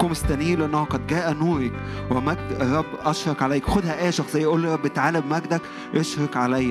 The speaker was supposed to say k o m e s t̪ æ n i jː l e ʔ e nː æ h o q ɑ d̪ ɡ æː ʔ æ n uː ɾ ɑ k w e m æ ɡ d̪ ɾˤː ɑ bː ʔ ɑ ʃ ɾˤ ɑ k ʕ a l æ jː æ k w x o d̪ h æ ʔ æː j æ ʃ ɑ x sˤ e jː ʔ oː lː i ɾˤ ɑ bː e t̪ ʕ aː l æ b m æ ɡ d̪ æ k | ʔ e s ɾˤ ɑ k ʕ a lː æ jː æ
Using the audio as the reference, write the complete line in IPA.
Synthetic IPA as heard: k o m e s t̪ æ n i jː l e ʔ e nː æ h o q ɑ d̪ ɡ æː ʔ æ n uː ɾ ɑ k w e m æ ɡ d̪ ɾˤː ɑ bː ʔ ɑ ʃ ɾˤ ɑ k ʕ a l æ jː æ k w x o d̪ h æ ʔ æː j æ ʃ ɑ x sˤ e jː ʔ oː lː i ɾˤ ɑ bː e t̪ ʕ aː l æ b m æ ɡ d̪ æ k | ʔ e ʃ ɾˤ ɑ k ʕ a l æ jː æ